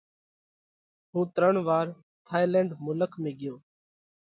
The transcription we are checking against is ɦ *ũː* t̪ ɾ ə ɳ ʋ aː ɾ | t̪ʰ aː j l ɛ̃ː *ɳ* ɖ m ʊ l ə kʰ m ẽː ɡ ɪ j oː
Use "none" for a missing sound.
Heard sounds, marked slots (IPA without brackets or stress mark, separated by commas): ũː, ɳ